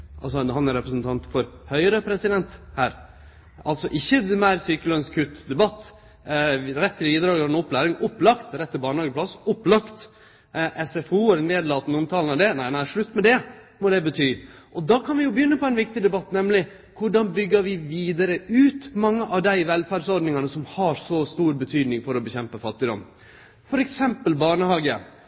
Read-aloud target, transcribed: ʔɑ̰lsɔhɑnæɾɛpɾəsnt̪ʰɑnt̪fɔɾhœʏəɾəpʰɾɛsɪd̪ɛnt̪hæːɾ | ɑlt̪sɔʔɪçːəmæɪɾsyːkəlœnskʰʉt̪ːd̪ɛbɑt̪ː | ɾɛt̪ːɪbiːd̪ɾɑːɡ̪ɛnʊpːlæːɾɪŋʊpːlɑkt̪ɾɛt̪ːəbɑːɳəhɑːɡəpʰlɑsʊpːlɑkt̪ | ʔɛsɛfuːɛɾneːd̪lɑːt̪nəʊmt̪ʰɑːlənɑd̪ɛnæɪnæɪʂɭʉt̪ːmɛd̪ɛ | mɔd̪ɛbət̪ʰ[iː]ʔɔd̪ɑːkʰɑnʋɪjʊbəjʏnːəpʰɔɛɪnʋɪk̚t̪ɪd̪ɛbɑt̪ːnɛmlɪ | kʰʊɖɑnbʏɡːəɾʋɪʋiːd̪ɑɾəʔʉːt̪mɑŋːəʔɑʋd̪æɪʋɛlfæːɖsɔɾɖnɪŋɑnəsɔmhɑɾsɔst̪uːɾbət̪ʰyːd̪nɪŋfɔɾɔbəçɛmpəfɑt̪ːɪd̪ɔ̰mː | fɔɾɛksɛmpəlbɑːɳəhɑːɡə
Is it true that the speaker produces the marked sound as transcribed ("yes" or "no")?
no